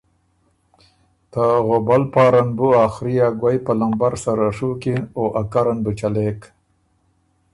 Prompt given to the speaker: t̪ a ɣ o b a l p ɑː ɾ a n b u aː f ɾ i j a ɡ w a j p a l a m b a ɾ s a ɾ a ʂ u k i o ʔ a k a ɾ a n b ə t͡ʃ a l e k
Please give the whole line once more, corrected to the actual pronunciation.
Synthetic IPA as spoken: t̪ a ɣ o b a l p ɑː ɾ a n b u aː x ɾ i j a ɡ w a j p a l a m b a ɾ s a ɾ a ʂ u k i o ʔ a k a ɾ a n b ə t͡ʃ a l e k